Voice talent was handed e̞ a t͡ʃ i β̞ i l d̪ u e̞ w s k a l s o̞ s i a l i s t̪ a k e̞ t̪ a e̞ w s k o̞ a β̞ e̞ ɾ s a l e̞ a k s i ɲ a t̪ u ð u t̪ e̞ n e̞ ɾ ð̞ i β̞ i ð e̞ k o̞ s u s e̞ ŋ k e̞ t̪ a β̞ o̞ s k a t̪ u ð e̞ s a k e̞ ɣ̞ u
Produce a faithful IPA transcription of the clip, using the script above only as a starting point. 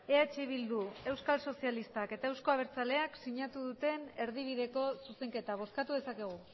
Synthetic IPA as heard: e̞ a t͡ʃ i β̞ i l d̪ u e̞ w s k a l s o̞ s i a l i s t̪ a k e̞ t̪ a e̞ w s k o̞ a β̞ e̞ ɾ t͡s a l e̞ a k s i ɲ a t̪ u ð u t̪ e̞ n e̞ ɾ ð̞ i β̞ i ð e̞ k o̞ s u s e̞ ŋ k e̞ t̪ a β̞ o̞ s k a t̪ u ð e̞ s a k e̞ ɣ̞ u